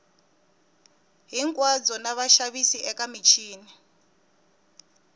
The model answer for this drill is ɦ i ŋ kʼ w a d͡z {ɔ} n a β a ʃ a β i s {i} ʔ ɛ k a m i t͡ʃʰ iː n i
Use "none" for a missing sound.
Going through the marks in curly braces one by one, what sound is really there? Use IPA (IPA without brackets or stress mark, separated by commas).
ɔ, i